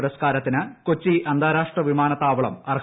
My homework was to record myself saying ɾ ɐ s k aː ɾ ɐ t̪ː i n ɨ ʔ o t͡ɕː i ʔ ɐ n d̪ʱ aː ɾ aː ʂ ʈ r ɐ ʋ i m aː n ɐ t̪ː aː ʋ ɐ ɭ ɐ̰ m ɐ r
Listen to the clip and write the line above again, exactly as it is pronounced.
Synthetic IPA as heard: ɾ ɐ s k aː ɾ ɐ t̪ː i n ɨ k o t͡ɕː i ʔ ɐ n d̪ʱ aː ɾ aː ʂ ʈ r ɐ ʋ i m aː n ɐ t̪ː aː ʋ ɐ ɭ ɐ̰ m ɐ r

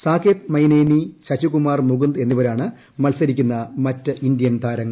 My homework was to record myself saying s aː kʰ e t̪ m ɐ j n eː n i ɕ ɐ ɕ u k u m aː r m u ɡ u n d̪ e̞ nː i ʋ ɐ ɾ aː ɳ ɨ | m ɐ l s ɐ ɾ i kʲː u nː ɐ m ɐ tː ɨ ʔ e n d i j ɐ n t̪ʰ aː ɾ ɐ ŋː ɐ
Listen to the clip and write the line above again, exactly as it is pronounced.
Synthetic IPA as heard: s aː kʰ e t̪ m ɐ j n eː n i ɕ ɐ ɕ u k u m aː r m u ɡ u n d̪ e̞ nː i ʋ ɐ ɾ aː ɳ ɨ | m ɐ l s ɐ ɾ i kʲː u nː ɐ m ɐ tː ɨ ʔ i n d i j ɐ n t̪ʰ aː ɾ ɐ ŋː ɐ

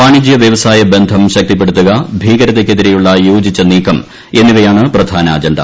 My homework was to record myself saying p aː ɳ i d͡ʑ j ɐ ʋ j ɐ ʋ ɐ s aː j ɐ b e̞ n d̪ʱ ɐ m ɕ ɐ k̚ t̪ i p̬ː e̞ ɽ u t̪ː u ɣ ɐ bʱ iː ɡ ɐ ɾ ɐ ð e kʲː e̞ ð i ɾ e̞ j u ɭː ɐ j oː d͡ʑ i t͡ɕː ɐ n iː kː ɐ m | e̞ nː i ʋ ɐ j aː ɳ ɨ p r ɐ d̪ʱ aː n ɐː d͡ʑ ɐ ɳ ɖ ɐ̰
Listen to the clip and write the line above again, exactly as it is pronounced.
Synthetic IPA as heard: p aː ɳ i d͡ʑ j ɐ ʋ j ɐ ʋ ɐ s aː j ɐ b e̞ n d̪ʱ ɐ m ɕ ɐ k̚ t̪ i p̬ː e̞ ɽ u t̪ː u ɣ ɐ bʱ iː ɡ ɐ ɾ ɐ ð e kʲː e̞ ð i ɾ e̞ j u ɭː ɐ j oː d͡ʑ i t͡ɕː ɐ n iː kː ɐ m | e̞ nː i ʋ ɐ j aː ɳ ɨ p r ɐ d̪ʱ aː n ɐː d͡ʑ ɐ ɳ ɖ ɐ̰

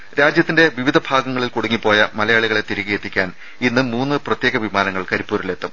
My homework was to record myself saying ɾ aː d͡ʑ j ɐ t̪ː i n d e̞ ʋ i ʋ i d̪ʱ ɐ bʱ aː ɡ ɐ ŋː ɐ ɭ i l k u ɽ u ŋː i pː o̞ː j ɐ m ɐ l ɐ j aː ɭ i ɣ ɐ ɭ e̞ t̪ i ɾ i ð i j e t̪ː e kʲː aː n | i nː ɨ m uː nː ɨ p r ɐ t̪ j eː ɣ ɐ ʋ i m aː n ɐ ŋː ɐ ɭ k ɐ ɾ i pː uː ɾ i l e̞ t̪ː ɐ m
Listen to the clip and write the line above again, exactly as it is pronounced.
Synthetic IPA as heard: ɾ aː d͡ʑ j ɐ t̪ː i n d e̞ ʋ i ʋ i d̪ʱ ɐ bʱ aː ɡ ɐ ŋː ɐ ɭ i l k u ɽ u ŋː i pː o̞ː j ɐ m ɐ l ɐ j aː ɭ i ɣ ɐ ɭ e̞ t̪ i ɾ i ɣ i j e t̪ː i kʲː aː n | i nː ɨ m uː nː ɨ p r ɐ t̪ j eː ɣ ɐ ʋ i m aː n ɐ ŋː ɐ ɭ k ɐ ɾ i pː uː ɾ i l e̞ t̪ː ɐ m

